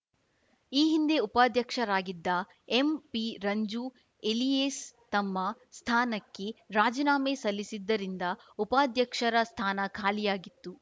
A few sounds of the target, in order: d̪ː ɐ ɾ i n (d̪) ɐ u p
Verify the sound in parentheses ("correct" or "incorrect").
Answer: correct